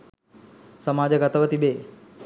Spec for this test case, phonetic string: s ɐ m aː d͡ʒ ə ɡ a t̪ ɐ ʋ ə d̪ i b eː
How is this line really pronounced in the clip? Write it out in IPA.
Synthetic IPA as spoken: s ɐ m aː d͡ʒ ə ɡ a t̪ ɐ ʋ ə t̪ i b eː